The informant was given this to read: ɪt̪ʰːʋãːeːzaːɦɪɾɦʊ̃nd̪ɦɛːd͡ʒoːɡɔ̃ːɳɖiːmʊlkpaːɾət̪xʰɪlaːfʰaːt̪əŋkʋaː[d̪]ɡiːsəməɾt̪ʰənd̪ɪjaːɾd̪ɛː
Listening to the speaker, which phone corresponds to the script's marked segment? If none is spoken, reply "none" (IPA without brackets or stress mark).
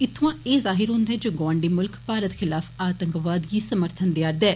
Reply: d̪